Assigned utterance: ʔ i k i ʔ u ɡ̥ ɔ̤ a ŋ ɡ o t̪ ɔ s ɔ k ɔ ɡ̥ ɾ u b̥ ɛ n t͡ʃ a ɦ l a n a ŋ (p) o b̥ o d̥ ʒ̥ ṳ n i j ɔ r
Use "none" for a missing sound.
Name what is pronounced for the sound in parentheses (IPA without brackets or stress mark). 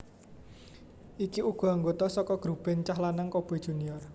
k